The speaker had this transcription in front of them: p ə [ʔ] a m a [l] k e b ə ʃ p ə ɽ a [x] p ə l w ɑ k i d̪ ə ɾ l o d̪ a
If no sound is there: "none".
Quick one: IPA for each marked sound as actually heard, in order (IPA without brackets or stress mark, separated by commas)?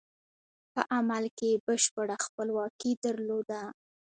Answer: ʔ, l, x